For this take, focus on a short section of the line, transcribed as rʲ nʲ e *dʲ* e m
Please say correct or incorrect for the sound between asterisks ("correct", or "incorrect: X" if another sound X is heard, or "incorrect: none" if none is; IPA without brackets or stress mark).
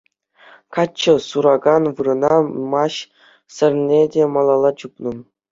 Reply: correct